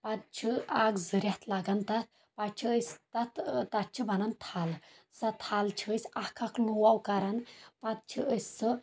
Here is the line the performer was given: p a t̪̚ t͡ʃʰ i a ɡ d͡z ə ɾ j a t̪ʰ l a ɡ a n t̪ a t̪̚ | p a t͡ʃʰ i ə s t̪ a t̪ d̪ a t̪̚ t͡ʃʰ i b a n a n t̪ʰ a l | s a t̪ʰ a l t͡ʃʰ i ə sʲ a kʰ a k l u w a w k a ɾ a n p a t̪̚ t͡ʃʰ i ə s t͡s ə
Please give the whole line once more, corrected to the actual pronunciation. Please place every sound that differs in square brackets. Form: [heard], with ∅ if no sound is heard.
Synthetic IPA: p a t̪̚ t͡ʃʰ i a ɡ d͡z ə ɾ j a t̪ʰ l a ɡ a n t̪ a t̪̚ | p a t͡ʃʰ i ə s t̪ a t̪ [t̪] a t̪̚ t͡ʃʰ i b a n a n t̪ʰ a l | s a t̪ʰ a l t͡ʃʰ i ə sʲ a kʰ a k l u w a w k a ɾ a n p a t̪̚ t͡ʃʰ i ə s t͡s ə